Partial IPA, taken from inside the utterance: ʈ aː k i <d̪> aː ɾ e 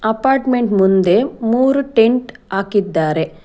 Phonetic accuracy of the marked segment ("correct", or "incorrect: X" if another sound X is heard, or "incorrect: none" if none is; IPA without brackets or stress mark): incorrect: d̪ː